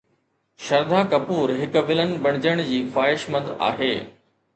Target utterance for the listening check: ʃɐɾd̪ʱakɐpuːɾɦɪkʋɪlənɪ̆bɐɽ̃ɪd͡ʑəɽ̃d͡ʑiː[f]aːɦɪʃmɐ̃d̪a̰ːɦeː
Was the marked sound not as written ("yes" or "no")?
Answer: no